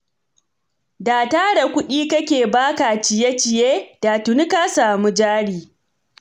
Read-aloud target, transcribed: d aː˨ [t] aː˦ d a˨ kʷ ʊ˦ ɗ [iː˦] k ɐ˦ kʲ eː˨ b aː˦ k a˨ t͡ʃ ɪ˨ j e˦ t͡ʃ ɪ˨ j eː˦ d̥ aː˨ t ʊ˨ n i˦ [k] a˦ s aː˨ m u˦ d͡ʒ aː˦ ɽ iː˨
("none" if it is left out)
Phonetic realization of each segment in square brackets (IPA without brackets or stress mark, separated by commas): t, iː˦, k